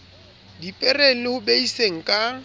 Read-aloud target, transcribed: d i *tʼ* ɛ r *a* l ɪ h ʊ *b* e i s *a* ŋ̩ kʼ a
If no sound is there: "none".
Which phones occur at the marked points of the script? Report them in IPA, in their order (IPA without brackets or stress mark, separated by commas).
pʼ, e, b, e